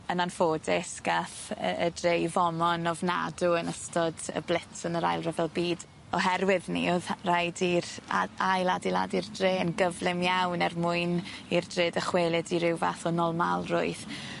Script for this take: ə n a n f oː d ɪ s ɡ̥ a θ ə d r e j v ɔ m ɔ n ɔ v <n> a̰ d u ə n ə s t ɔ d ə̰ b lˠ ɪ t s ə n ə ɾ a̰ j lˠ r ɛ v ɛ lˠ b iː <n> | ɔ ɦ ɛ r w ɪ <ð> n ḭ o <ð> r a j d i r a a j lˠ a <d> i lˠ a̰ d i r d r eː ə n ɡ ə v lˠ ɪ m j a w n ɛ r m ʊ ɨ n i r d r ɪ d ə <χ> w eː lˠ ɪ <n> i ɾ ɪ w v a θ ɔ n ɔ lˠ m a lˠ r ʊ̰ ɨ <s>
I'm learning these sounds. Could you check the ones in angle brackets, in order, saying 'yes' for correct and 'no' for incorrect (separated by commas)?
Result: yes, no, yes, yes, yes, yes, no, no